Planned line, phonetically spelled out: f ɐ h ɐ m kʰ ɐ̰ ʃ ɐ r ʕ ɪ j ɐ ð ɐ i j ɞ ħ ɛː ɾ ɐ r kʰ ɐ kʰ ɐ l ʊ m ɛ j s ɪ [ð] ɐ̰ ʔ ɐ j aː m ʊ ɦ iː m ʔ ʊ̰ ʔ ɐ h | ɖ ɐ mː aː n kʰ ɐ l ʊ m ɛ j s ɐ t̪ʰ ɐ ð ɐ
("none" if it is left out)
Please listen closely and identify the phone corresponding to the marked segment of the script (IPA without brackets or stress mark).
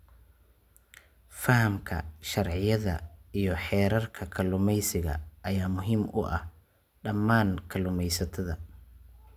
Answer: ɣ